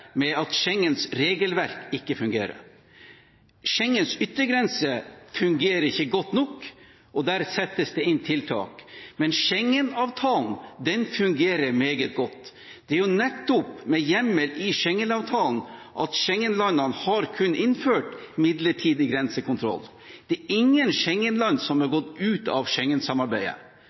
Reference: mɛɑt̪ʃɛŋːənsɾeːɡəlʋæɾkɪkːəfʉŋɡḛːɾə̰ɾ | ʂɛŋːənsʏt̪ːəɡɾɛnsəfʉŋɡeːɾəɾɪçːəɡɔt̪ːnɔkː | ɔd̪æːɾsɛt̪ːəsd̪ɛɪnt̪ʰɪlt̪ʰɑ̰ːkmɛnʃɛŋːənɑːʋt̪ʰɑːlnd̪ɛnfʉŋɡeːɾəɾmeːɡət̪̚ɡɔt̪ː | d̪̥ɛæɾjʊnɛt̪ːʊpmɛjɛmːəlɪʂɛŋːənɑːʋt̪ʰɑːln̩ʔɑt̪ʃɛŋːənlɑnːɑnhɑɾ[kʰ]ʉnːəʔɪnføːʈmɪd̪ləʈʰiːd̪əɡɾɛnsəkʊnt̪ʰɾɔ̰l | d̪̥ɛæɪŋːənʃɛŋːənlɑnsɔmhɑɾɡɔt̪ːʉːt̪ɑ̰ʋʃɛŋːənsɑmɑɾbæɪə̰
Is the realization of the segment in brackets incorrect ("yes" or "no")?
no